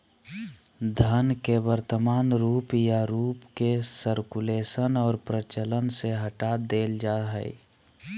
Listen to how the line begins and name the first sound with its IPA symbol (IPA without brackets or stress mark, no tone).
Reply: d̪ʱ